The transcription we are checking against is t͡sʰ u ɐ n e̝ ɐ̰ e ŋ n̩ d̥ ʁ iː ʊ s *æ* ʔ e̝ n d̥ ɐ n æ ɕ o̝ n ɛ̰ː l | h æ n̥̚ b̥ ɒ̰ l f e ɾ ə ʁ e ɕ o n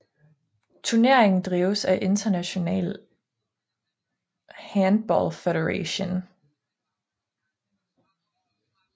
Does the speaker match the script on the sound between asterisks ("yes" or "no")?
yes